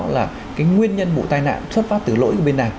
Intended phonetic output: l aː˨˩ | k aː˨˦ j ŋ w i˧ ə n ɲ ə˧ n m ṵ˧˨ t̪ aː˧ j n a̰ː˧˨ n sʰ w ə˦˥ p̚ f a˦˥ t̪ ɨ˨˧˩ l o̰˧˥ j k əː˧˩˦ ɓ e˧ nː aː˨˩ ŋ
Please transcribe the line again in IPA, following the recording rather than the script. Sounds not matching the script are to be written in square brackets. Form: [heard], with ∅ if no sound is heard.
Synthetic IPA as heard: l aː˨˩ | k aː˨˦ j ŋ w i˧ ə n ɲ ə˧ n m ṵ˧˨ t̪ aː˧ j n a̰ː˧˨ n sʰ w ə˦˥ [t̚] f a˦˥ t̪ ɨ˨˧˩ l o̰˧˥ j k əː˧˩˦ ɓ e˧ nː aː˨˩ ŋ